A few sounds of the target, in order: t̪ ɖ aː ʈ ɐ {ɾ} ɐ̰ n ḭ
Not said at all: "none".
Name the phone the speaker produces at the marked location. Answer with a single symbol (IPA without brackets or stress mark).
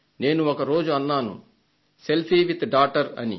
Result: ɾ